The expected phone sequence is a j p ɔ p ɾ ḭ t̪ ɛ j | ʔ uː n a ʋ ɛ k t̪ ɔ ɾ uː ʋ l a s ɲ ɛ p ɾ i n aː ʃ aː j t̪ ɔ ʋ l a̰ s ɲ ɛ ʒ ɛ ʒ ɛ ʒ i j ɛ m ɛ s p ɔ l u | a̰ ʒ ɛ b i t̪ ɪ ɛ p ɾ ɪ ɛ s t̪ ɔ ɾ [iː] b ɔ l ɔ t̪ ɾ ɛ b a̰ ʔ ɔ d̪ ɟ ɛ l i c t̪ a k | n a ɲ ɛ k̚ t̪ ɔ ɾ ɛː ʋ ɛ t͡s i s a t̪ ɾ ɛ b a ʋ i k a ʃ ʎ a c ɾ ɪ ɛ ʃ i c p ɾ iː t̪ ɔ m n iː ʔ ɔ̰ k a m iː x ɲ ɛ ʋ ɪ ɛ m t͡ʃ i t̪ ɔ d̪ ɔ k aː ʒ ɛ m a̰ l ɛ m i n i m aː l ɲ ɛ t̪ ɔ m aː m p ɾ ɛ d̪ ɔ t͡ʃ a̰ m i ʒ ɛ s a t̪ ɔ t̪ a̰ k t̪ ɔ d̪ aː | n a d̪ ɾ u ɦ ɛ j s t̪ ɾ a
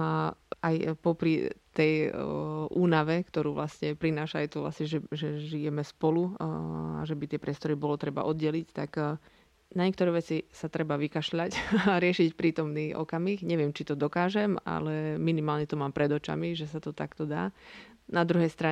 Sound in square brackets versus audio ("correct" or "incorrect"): incorrect